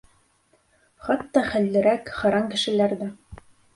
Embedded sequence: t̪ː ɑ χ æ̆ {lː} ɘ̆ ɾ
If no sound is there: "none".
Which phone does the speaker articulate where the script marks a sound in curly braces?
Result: lː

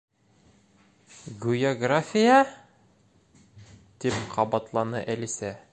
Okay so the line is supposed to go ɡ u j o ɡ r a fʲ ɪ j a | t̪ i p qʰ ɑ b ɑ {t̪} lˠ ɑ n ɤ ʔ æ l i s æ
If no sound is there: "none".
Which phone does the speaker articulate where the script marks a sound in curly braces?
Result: t̪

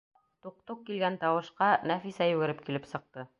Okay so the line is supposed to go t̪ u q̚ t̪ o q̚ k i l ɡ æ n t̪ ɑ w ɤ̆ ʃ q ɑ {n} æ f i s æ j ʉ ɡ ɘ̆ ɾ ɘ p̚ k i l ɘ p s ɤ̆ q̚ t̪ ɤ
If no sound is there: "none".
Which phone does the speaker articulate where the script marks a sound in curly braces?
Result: n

